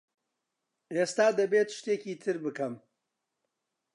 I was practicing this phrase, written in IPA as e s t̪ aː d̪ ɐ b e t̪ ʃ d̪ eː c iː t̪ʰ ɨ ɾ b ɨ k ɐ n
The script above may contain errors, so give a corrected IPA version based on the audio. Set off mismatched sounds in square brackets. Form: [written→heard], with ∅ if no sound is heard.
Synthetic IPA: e s t̪ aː d̪ ɐ b e t̪ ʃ [d̪→t̪] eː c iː t̪ʰ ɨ ɾ b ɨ k ɐ [n→m]